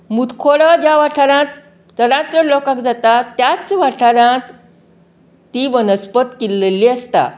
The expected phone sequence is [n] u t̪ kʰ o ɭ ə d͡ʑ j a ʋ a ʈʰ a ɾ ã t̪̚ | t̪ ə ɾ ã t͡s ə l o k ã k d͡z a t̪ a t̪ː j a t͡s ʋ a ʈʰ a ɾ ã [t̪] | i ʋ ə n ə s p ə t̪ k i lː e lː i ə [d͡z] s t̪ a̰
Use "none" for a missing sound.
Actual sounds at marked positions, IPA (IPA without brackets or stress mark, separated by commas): m, t̪, none